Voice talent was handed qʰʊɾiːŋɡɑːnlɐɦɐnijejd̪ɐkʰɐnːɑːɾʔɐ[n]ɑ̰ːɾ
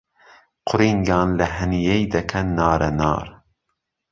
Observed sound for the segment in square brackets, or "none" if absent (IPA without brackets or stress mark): n